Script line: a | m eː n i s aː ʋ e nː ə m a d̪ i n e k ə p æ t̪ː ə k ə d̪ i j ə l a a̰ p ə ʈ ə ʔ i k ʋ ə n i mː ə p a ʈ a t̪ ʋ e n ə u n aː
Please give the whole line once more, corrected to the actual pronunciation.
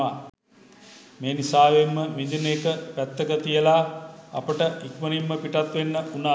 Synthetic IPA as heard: a | m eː n i s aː ʋ e mː ə m i d̪ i n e k ə p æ t̪ː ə k ə t̪ i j ə l a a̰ p ə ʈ ə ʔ i k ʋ ə n i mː ə p i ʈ a t̪ ʋ e nː ə u n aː